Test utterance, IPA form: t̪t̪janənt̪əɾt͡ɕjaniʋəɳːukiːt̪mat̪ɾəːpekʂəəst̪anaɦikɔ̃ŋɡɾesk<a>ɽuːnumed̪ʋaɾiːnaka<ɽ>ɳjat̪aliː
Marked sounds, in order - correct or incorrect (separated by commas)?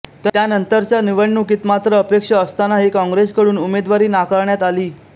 incorrect, incorrect